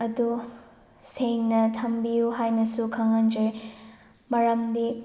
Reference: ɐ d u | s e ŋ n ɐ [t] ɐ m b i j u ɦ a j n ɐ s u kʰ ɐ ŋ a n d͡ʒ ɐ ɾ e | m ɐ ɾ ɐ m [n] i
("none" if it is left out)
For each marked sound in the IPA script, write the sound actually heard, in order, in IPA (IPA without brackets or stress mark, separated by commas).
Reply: tʰ, d